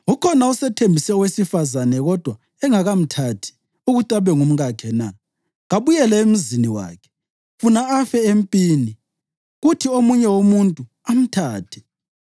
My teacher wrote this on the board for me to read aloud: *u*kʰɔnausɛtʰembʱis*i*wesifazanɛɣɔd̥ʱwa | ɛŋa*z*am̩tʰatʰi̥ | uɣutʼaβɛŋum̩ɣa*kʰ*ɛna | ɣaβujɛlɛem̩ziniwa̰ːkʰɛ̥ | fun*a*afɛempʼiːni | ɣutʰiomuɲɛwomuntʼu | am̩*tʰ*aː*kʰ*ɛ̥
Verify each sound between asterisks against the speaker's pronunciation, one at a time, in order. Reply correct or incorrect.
correct, incorrect: ɛ, incorrect: ɣ, correct, correct, correct, incorrect: tʰ

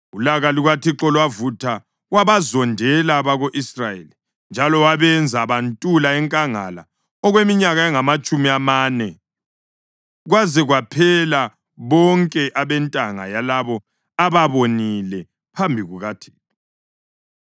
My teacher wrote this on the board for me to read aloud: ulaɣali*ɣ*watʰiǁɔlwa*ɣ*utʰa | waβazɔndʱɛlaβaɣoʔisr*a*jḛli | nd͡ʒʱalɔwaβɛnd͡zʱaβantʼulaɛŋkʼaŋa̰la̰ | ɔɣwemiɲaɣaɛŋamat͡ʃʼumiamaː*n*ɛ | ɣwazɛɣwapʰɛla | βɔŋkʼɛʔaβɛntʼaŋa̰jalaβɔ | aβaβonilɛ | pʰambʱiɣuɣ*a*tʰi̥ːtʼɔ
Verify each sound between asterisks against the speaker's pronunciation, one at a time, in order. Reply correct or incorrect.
correct, incorrect: v, correct, correct, correct

